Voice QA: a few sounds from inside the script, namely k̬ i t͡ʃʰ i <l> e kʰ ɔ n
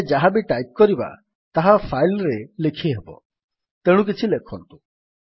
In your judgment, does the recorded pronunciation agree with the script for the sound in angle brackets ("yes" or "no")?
yes